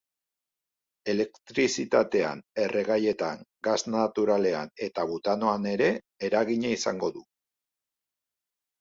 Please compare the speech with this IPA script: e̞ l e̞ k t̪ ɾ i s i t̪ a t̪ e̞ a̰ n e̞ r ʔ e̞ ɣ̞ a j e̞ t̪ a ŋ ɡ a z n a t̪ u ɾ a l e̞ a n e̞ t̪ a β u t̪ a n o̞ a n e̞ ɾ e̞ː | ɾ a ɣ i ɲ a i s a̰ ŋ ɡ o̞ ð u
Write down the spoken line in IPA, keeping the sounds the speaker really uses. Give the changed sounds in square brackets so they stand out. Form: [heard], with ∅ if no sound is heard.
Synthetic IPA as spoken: e̞ l e̞ k t̪ ɾ i s i t̪ a t̪ e̞ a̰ n e̞ r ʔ e̞ ɣ̞ a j e̞ t̪ a ŋ ɡ a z n a t̪ u ɾ a l e̞ a n e̞ t̪ a β u t̪ a n o̞ a n e̞ ɾ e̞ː | ɾ a ɣ i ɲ a i s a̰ ŋ ɡ o̞ ð u